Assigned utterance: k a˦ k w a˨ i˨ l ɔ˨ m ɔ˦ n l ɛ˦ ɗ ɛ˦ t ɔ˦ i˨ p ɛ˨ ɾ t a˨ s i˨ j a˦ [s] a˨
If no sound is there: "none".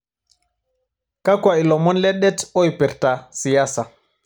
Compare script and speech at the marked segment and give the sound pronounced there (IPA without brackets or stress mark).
s